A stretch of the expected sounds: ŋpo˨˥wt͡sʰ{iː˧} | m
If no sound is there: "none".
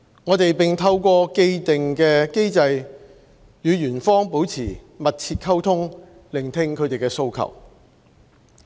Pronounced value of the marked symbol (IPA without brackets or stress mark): iː˨˩